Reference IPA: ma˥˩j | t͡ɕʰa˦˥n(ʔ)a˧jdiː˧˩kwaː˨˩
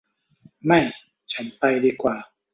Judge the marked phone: incorrect: p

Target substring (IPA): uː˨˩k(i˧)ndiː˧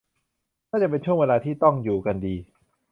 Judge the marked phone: incorrect: a˧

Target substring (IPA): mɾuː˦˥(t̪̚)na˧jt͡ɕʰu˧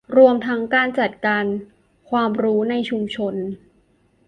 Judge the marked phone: incorrect: none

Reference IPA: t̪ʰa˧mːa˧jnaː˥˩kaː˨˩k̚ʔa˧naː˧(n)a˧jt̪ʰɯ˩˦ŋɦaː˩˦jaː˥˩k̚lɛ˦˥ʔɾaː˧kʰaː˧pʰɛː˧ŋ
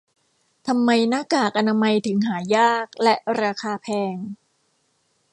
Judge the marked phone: incorrect: m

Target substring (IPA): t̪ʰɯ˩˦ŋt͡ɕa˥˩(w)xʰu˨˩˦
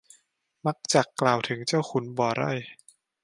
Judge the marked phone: correct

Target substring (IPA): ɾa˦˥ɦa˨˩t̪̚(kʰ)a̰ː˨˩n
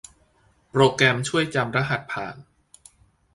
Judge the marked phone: incorrect: pʰ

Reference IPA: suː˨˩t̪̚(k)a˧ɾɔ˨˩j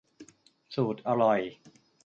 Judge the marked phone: incorrect: ʔ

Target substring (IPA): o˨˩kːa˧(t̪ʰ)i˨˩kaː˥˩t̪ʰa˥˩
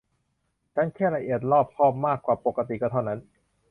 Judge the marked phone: incorrect: t̪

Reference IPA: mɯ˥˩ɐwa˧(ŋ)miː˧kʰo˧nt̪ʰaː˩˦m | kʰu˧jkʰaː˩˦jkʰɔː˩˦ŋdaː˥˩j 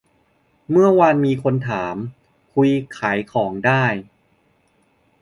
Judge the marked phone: incorrect: n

